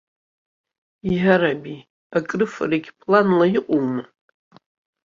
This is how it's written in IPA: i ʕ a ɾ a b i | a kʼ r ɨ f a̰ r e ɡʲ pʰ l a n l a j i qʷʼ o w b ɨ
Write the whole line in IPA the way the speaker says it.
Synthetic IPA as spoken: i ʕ a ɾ a b i | a kʼ r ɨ f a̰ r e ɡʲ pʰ l a n l a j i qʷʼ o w m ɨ